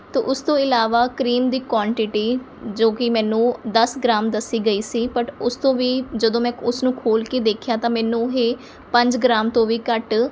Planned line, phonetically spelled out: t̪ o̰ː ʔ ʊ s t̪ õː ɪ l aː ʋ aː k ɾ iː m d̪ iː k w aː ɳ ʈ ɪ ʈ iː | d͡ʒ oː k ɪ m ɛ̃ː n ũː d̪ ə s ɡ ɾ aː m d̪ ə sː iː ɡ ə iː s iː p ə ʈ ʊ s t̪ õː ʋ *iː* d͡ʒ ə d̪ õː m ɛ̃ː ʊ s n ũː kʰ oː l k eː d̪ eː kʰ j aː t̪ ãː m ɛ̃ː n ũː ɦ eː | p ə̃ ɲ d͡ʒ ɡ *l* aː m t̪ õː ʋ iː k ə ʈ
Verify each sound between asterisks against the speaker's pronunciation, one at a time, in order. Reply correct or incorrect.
correct, incorrect: ɾ

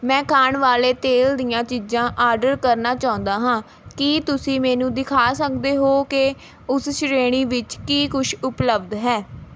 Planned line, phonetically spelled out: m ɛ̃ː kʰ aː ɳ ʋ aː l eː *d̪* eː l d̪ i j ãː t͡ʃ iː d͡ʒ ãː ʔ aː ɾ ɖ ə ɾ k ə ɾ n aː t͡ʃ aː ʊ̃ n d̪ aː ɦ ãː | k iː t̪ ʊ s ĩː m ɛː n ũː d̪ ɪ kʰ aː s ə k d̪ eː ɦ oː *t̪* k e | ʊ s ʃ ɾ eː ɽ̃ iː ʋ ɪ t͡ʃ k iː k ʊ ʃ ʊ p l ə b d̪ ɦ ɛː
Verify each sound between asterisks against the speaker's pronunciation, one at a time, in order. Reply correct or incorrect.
incorrect: t̪, incorrect: none

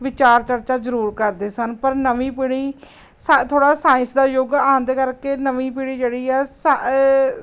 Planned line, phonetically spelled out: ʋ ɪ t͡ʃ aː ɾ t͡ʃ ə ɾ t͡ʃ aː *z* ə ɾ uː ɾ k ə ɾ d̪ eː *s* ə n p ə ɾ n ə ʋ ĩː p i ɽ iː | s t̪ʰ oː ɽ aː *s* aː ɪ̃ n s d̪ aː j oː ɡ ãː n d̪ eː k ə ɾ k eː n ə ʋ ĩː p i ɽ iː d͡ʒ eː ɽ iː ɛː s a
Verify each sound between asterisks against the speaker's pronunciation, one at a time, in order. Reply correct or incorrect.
correct, correct, correct

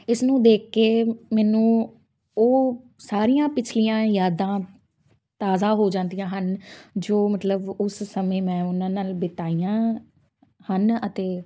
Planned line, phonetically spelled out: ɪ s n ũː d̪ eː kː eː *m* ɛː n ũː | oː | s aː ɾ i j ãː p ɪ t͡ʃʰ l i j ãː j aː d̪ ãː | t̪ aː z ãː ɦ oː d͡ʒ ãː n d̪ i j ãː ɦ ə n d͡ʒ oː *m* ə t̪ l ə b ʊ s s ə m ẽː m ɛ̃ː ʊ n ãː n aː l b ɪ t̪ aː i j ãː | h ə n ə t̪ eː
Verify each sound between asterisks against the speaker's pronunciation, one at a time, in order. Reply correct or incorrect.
correct, correct

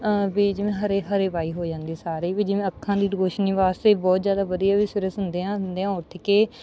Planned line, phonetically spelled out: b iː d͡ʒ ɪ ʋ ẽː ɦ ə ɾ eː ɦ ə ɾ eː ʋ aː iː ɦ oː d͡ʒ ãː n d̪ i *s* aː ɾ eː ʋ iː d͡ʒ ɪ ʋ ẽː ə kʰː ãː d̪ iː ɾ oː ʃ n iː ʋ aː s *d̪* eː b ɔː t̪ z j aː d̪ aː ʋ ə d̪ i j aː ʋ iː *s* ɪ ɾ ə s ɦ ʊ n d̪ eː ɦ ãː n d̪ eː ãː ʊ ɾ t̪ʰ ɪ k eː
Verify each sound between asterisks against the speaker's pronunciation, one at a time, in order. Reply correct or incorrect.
correct, incorrect: t̪, correct

